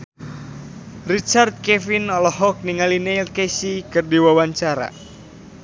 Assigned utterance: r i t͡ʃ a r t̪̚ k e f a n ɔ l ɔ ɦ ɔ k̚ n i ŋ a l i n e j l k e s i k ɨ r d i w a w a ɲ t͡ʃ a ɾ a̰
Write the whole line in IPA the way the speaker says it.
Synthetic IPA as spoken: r i t͡ʃ a r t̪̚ k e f i n ɔ l ɔ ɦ ɔ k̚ n i ŋ a l i n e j l k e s i k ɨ r d i w a w a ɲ t͡ʃ a ɾ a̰